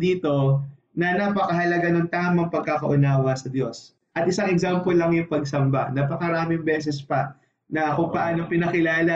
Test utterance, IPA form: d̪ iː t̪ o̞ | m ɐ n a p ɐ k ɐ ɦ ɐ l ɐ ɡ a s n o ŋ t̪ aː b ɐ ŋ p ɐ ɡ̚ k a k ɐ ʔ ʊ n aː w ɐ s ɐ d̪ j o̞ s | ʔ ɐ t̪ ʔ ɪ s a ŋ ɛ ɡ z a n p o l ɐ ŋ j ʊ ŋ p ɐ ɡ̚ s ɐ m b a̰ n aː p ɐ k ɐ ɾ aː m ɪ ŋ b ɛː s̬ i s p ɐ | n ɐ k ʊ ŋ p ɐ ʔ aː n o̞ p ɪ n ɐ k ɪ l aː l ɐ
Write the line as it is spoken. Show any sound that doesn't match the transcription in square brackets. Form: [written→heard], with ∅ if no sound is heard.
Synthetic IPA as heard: d̪ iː t̪ o̞ | [m→n] ɐ n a p ɐ k ɐ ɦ ɐ l ɐ ɡ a [s→∅] n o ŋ t̪ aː [b→m] ɐ ŋ p ɐ ɡ̚ k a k ɐ ʔ ʊ n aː w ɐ s ɐ d̪ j o̞ s | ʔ ɐ t̪ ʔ ɪ s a ŋ ɛ ɡ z a [n→m] p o l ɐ ŋ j ʊ ŋ p ɐ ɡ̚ s ɐ m b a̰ n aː p ɐ k ɐ ɾ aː m ɪ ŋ b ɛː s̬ [i→ɛ] s p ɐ | n ɐ k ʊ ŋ p ɐ ʔ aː n o̞ p ɪ n ɐ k ɪ l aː l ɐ